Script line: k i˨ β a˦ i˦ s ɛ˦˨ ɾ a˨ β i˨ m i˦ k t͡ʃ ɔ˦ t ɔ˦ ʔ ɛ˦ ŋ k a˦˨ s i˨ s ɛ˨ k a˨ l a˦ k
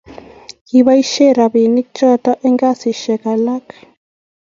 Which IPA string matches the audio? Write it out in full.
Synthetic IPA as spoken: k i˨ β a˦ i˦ ʃ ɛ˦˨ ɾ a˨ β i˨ n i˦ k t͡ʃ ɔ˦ t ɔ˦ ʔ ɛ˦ ŋ ɡ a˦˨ s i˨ ʃ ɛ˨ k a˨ l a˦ k